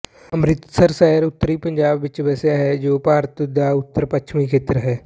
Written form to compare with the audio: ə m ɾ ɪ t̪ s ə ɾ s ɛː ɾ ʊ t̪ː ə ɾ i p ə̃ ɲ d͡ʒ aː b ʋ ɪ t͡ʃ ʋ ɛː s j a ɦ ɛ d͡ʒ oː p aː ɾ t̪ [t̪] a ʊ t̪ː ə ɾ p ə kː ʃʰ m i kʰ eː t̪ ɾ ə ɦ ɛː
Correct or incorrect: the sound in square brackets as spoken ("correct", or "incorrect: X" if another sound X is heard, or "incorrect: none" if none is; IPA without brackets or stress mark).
incorrect: d̪